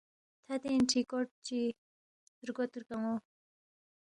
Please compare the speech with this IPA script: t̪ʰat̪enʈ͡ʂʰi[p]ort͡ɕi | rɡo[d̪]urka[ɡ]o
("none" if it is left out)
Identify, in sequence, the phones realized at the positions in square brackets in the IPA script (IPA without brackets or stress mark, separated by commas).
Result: k, t̪, ŋ